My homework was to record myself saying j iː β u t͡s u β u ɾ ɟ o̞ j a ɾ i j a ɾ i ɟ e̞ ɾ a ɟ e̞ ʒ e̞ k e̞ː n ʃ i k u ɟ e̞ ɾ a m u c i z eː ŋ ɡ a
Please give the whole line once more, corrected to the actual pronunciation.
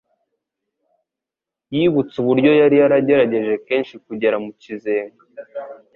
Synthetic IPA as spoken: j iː β u t͡s u β u ɾ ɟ o̞ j a ɾ i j a ɾ a ɟ e̞ ɾ a ɟ e̞ ʒ e̞ k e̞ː n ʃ i k u ɟ e̞ ɾ a m u c i z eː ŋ ɡ a